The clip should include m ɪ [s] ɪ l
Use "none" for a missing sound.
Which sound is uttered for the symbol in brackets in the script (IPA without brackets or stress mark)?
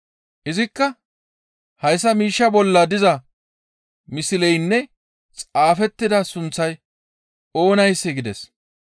s